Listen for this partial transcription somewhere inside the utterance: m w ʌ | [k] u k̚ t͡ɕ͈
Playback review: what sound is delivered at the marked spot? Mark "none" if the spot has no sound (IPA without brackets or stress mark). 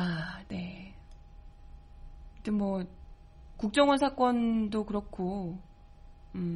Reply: k